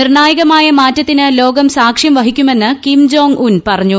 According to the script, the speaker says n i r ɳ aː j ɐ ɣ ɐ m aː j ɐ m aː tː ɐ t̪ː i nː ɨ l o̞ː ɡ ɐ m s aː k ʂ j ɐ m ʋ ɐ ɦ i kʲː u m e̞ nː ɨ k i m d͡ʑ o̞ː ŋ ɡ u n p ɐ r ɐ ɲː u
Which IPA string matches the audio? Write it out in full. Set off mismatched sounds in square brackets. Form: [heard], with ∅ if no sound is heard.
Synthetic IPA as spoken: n i r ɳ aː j ɐ ɣ ɐ m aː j ɐ m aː tː ɐ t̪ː i [n] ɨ l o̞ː ɡ ɐ m s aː k ʂ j ɐ m ʋ ɐ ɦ i kʲː u m e̞ nː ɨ k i m d͡ʑ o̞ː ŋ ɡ u n p ɐ r ɐ ɲː u